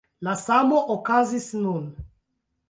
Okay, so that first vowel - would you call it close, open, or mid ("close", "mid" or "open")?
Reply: open